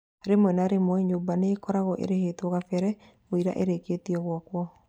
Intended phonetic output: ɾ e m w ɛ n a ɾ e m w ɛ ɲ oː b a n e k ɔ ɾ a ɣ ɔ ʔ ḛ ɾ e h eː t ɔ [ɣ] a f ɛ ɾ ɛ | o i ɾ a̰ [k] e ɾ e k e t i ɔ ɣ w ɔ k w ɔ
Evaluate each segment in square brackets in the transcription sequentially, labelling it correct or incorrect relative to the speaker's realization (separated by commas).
correct, incorrect